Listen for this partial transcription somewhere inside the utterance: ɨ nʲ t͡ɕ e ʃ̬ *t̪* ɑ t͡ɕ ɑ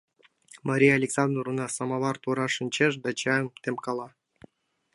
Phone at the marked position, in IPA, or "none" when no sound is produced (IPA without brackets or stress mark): d̪